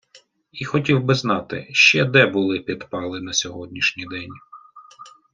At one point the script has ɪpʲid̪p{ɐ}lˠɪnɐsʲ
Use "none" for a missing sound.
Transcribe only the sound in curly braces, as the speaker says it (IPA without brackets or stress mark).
ɑ